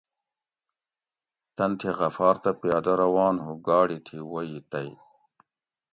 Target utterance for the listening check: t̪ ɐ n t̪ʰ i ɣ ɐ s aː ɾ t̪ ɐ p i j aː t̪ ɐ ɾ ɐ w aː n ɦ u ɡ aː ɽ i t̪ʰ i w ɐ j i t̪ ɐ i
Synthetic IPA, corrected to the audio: t̪ ɐ n t̪ʰ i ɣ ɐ f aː ɾ t̪ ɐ p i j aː d̪ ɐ ɾ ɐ w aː n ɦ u ɡ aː ɽ i t̪ʰ i w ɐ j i t̪ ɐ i